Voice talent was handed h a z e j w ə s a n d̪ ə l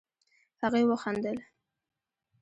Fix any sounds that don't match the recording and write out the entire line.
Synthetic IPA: h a ɣ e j w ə x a n d̪ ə l